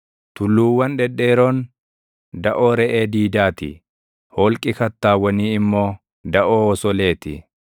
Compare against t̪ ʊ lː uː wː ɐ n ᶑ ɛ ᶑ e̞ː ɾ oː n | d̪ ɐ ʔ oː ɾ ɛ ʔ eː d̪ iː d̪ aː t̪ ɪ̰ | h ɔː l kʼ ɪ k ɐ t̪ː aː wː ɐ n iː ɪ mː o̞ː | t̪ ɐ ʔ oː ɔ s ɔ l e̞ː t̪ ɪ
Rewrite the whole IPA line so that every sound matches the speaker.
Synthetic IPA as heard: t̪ ʊ lː uː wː ɐ n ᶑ ɛ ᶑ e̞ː ɾ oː n | d̪ ɐ ʔ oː ɾ ɛ ʔ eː d̪ iː d̪ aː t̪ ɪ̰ | h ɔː l kʼ ɪ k ɐ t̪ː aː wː ɐ n iː ɪ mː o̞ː | d̪ ɐ ʔ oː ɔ s ɔ l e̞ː t̪ ɪ